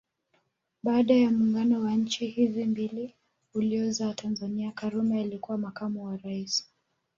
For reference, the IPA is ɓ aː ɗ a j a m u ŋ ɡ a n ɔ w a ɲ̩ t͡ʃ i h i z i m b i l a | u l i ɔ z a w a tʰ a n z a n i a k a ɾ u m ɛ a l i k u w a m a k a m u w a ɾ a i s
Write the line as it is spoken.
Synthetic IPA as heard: ɓ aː ɗ a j a m u ŋ ɡ a n ɔ w a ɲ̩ t͡ʃ i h i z i m b i l i | u l i ɔ z a w a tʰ a n z a n i a k a ɾ u m ɛ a l i k u w a m a k a m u w a ɾ a i s